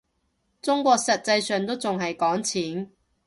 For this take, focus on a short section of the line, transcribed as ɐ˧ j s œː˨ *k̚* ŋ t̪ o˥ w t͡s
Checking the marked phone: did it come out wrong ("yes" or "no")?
yes